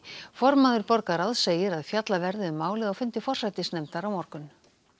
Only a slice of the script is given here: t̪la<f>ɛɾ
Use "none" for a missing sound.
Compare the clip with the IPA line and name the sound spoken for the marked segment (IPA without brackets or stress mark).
v